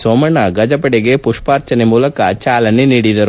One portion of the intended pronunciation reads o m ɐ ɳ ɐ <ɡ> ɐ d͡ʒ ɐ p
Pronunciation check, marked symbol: correct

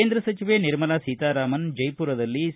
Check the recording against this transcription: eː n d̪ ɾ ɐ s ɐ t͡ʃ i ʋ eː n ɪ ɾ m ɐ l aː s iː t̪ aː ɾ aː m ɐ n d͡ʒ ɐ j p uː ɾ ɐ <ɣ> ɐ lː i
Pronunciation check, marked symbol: incorrect: ð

